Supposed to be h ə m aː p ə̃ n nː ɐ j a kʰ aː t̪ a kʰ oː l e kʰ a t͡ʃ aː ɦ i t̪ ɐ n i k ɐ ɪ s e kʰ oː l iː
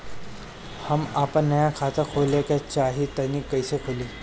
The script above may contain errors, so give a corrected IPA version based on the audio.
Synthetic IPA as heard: h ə m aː p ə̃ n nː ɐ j a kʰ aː t̪ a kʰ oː l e k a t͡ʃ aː ɦ i t̪ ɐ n i k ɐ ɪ s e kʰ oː l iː